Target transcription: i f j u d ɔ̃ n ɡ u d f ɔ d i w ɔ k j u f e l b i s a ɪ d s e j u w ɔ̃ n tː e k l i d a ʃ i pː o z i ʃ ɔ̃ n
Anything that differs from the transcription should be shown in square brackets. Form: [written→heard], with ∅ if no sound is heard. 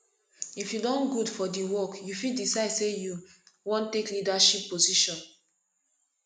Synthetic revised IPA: i f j u d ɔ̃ n ɡ u d f ɔ d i w ɔ k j u f [e→i] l [b→d] i s a ɪ d s e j u w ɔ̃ n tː e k l i d a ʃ i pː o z i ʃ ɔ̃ n